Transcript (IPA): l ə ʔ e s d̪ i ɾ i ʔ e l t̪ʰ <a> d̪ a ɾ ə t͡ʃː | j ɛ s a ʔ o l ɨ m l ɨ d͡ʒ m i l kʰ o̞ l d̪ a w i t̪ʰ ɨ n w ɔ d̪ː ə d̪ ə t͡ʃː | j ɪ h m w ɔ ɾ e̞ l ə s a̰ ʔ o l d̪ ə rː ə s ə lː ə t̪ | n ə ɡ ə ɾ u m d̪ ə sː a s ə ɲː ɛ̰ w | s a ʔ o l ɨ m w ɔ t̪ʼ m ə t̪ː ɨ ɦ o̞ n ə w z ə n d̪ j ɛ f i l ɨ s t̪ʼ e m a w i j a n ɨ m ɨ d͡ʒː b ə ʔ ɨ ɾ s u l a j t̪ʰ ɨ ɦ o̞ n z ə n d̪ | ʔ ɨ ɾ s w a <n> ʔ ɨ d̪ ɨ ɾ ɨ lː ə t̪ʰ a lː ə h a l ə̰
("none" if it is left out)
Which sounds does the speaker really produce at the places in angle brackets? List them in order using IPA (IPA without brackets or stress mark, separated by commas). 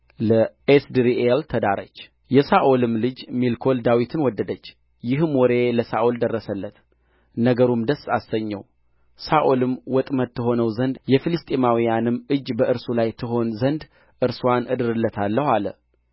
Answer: ə, n